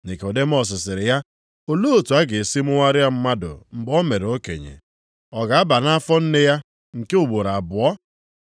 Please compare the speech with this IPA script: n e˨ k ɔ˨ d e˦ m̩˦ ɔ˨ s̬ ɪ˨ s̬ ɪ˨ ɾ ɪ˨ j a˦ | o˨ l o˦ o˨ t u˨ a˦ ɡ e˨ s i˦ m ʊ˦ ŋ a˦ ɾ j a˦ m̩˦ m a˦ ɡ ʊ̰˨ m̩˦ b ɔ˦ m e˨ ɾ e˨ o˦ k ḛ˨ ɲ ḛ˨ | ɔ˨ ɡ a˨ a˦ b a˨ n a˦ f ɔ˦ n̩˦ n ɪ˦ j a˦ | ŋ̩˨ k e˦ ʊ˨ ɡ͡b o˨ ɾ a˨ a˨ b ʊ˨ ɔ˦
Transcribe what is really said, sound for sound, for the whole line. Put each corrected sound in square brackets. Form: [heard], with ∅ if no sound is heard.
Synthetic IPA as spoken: n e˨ k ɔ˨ d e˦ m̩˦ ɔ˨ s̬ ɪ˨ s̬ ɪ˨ ɾ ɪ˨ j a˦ | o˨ l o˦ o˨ t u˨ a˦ ɡ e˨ s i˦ m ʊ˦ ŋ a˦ ɾ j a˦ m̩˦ m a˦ [d] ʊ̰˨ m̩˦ b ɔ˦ m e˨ ɾ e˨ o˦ k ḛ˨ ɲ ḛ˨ | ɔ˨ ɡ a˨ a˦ b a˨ n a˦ f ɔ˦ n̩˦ n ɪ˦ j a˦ | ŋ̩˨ k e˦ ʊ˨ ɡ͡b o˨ ɾ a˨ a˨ b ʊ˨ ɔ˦